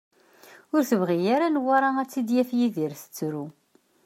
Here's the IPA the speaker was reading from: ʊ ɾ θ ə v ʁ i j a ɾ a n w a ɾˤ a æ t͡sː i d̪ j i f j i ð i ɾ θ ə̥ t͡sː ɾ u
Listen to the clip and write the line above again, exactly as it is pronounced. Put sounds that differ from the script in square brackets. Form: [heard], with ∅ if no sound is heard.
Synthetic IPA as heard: ʊ ɾ θ ə v ʁ i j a ɾ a n w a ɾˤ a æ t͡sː i d̪ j [æ] f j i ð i ɾ θ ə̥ t͡sː ɾ u